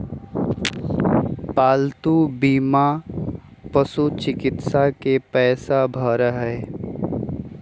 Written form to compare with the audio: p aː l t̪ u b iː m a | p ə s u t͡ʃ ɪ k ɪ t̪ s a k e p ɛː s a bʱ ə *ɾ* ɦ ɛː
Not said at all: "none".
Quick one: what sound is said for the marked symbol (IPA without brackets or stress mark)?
ɾ